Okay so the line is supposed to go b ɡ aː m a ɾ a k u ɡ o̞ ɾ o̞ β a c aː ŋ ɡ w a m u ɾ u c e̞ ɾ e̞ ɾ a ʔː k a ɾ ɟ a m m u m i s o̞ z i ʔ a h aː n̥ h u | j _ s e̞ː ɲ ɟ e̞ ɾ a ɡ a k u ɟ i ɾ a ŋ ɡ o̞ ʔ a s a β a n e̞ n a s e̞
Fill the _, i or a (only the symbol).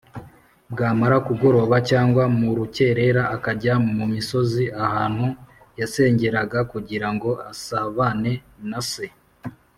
a